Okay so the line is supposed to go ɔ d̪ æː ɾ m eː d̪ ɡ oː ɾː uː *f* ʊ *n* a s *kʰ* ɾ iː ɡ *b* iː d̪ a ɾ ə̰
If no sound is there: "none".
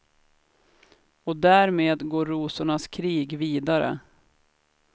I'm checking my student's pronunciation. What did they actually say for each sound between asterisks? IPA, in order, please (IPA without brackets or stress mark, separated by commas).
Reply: s, ɳ, kʰ, v